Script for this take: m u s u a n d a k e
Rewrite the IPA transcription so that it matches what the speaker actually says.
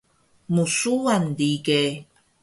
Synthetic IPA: m u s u a n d i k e